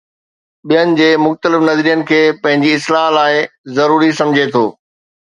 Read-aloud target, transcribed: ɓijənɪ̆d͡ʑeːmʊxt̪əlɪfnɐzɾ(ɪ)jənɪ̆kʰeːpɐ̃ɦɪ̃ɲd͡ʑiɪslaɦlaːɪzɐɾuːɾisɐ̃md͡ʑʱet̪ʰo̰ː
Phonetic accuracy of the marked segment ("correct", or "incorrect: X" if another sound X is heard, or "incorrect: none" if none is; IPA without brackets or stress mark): incorrect: i